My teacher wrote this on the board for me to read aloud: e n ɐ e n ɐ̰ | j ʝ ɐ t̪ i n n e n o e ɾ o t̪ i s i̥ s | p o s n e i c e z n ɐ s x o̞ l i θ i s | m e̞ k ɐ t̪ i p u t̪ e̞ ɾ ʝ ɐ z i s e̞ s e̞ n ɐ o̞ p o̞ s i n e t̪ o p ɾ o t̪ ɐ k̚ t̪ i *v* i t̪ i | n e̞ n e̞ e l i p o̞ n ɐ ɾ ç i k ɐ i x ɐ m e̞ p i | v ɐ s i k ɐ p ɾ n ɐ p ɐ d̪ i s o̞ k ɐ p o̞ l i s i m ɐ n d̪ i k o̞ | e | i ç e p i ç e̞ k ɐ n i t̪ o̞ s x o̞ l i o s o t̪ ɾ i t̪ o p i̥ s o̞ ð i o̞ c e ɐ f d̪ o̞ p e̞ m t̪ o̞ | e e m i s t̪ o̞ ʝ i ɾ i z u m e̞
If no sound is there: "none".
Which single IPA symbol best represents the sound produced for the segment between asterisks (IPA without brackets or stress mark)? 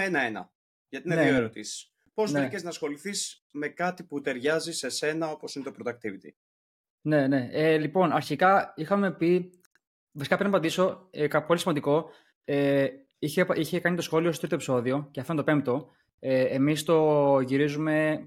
v